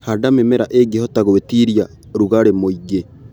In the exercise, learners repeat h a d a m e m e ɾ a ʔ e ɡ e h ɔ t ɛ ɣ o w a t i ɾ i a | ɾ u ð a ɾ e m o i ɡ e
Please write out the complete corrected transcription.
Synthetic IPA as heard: h a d a m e m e ɾ a ʔ e ɡ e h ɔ t a ɣ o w e t i ɾ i a | ɾ u ɣ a ɾ e m o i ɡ e